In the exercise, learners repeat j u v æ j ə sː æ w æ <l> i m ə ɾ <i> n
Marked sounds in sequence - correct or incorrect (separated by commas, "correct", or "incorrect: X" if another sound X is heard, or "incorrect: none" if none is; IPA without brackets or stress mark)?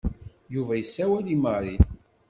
correct, correct